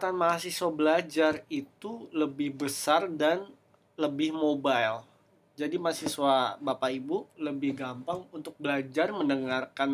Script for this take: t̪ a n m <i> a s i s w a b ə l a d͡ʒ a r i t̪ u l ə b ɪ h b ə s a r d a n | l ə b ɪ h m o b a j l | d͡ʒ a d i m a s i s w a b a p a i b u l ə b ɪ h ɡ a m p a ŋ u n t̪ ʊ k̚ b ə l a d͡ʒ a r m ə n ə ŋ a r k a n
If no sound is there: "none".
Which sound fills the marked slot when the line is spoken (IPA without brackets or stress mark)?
a